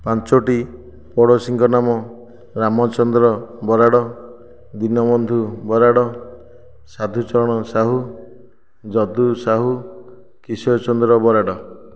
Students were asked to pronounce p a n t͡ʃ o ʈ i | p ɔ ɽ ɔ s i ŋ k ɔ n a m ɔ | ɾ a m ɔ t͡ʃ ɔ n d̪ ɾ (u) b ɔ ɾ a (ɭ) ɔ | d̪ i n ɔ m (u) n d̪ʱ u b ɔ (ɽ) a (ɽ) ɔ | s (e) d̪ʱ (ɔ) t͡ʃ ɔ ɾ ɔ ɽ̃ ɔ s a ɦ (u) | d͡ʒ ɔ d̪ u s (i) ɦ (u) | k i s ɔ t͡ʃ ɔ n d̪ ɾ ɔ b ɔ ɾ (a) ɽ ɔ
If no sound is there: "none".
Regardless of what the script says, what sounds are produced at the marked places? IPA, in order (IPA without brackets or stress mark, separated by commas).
ɔ, ɽ, ɔ, ɾ, ɽ, a, u, u, a, u, a